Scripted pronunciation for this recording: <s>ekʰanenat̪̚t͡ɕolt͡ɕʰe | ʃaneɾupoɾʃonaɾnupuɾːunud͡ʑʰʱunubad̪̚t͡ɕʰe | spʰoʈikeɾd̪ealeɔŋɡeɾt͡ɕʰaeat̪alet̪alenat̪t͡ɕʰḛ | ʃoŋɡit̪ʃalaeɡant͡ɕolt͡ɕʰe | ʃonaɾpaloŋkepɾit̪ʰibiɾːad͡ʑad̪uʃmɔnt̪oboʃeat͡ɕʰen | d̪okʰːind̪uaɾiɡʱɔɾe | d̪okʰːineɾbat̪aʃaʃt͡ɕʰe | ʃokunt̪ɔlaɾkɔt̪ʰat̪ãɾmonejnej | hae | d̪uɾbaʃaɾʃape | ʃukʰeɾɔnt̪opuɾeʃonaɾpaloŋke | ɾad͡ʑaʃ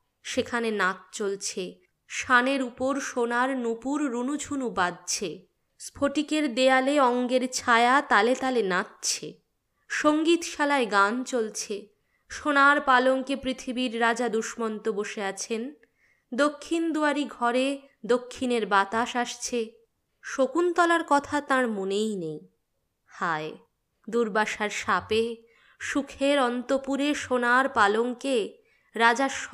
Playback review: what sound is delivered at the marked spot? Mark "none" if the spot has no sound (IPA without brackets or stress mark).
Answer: ʃ